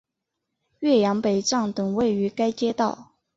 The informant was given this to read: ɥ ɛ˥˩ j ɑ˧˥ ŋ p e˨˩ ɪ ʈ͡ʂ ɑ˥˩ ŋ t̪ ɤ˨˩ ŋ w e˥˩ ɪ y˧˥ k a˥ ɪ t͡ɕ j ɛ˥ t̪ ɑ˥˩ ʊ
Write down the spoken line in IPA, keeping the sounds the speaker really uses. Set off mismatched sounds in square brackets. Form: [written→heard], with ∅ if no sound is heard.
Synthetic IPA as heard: ɥ ɛ˥˩ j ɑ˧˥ ŋ p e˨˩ ɪ ʈ͡ʂ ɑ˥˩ ŋ t̪ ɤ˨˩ ŋ w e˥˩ ɪ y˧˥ k a˥ ɪ t͡ɕ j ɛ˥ t̪ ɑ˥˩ ʊ